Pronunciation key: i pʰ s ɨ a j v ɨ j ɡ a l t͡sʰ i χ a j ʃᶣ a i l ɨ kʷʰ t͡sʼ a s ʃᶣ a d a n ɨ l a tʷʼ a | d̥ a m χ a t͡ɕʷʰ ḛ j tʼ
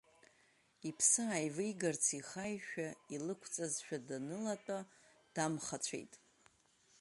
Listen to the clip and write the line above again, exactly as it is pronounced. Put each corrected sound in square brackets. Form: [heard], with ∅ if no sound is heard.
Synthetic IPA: i pʰ s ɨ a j v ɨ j ɡ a [r] t͡sʰ i χ a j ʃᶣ a i l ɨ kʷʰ t͡sʼ a [z] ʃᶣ a d a n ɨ l a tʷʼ a | d̥ a m χ a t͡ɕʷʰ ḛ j tʼ